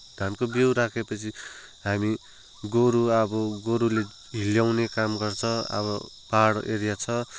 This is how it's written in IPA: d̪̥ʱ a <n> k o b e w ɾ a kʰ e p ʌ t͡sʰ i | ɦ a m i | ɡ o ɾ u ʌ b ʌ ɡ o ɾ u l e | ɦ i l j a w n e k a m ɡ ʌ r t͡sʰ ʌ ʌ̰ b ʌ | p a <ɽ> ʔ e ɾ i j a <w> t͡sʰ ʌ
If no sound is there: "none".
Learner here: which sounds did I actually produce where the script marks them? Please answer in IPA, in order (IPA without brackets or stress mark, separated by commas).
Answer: n, ɽ, none